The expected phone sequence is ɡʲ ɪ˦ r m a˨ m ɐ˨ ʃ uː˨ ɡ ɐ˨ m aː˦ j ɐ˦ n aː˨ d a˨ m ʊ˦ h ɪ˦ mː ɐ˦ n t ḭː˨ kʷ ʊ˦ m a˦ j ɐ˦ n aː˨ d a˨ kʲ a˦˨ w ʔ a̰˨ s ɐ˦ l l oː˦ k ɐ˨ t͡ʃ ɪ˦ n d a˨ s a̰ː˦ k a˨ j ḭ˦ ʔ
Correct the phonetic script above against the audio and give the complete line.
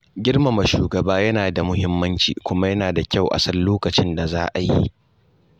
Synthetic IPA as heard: ɡʲ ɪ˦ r m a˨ m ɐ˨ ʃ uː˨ ɡ ɐ˨ b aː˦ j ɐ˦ n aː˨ d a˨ m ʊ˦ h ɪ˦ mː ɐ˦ n t͡ʃ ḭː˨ kʷ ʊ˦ m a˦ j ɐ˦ n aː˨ d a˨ kʲ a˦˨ w ʔ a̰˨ s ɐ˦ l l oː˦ k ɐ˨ t͡ʃ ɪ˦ n d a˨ z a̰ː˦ ʔ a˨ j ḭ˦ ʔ